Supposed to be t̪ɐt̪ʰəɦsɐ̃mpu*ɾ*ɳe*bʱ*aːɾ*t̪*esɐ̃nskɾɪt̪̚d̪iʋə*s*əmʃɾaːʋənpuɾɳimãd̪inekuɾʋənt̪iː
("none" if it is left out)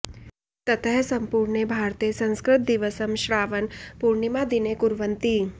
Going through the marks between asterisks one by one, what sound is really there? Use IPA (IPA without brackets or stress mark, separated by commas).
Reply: ɾ, bʱ, t̪, s